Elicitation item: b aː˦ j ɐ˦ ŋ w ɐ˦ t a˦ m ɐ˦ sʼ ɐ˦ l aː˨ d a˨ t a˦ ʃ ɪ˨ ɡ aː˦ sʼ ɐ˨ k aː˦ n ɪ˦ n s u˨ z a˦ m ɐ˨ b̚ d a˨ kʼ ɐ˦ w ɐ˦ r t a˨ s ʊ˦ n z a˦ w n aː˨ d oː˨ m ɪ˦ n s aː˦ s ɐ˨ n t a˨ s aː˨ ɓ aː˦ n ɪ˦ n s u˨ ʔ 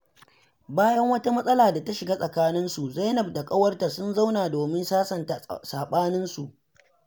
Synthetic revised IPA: b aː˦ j ɐ˦ ŋ w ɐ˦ t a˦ m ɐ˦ sʼ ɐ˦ l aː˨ d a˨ t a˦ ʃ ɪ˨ ɡ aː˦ sʼ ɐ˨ k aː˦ n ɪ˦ n s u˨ z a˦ n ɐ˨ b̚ d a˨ kʼ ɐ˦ w ɐ˦ r t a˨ s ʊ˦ n z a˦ w n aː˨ d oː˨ m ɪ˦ n s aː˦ s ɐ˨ n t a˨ s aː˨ ɓ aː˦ n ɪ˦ n s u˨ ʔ